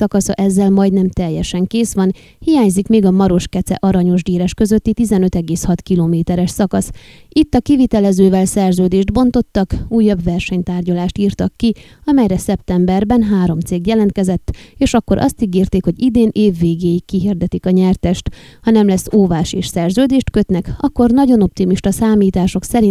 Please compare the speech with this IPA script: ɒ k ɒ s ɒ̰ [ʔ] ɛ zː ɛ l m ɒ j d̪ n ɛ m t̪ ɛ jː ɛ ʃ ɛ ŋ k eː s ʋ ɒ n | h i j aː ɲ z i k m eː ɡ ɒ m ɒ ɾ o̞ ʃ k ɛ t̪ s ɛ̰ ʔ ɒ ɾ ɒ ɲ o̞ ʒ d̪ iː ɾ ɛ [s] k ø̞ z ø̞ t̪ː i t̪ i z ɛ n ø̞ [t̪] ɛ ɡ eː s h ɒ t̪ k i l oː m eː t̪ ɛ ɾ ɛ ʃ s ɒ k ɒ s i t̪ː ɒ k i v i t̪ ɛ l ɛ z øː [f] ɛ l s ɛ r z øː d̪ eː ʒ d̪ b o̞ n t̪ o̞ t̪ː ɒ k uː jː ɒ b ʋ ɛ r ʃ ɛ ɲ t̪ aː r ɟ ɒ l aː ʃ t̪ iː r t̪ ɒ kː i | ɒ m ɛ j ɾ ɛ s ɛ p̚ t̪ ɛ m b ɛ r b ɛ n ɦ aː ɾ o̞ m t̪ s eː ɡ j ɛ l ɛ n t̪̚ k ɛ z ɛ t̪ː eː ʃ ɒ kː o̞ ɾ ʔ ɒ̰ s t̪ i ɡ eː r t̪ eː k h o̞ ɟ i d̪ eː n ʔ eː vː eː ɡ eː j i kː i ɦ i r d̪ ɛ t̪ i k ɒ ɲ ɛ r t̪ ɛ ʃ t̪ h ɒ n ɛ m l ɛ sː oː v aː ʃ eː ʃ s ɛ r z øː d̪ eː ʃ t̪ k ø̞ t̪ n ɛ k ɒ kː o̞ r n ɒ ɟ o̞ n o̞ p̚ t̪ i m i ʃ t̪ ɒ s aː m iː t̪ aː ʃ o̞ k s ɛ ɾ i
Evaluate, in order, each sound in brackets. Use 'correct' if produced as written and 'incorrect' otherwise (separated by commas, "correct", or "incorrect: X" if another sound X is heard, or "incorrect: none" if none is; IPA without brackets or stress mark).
correct, incorrect: ʃ, correct, incorrect: v